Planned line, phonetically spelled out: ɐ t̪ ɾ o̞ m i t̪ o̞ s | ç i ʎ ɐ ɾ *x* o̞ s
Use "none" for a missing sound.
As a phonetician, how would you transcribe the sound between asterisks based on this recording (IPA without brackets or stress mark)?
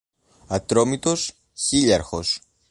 x